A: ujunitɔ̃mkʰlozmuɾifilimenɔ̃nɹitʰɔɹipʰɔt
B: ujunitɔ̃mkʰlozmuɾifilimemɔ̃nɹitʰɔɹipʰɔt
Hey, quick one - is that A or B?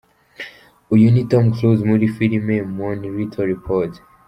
B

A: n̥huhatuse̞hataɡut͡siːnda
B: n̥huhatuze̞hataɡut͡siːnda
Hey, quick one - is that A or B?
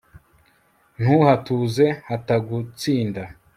B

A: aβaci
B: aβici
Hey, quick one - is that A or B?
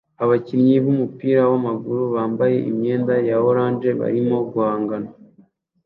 A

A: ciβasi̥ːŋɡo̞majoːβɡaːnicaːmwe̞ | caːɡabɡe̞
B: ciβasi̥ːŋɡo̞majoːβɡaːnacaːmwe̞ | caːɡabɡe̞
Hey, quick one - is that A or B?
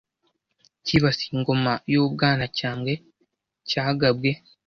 B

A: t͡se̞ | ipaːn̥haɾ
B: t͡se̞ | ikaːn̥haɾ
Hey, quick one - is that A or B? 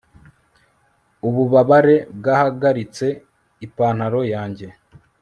A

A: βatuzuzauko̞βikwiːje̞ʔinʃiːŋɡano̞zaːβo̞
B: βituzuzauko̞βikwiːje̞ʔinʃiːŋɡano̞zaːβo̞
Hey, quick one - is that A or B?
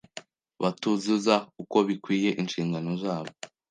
A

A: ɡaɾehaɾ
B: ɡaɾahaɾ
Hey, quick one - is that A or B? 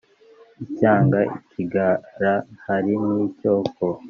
B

